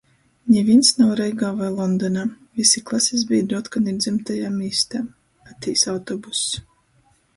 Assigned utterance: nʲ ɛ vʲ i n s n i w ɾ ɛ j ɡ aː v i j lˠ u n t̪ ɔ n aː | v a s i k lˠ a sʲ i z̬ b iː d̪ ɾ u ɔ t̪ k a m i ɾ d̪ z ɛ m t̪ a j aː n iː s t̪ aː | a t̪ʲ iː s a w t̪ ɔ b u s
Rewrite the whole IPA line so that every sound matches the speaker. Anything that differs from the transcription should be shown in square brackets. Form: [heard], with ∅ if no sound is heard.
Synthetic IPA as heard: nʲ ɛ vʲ i n s n [a] w ɾ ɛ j ɡ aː v [a] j lˠ [ɔ] n [d̪] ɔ n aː | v [i] s i k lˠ a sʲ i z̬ b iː d̪ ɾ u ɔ t̪ k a [n] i ɾ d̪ z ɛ m t̪ a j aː [m] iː s t̪ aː | a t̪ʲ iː s a w t̪ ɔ b u s